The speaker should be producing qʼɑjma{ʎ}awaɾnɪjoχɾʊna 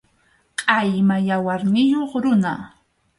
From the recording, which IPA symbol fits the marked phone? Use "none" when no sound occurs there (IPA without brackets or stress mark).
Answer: j